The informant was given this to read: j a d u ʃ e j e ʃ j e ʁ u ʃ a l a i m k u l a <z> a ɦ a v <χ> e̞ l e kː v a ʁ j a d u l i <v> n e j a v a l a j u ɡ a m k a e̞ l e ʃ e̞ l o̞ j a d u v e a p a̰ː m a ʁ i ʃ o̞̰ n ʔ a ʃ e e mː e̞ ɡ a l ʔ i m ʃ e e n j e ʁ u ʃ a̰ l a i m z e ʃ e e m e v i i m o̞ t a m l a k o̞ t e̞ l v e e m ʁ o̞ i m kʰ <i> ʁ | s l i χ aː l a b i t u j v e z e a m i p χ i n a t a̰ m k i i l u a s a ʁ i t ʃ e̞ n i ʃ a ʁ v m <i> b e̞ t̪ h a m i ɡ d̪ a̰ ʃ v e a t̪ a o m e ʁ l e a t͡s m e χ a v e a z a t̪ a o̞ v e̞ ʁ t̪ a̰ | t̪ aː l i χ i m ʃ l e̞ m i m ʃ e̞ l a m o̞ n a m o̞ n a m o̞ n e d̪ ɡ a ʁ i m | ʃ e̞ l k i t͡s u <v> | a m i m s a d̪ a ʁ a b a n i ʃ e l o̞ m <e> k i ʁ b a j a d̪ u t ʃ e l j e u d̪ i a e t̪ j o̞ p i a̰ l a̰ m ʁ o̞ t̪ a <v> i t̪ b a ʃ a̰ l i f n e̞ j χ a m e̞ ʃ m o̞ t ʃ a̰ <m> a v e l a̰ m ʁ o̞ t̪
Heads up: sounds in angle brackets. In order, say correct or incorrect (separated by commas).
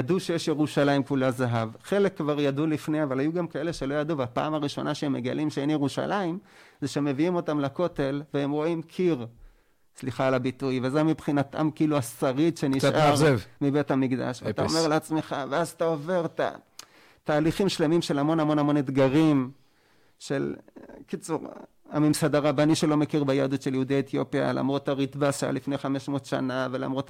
correct, correct, incorrect, correct, correct, incorrect, correct, incorrect, incorrect